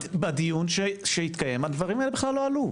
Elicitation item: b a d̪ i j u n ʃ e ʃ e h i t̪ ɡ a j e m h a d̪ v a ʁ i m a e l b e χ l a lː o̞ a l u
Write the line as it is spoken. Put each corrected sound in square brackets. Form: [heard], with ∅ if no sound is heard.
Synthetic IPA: b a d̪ i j u n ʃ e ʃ e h i t̪ [k] a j e m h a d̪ v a ʁ i m a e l b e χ l a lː o̞ a l u